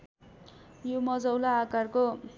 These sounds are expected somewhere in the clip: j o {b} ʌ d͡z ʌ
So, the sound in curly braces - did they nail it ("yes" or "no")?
no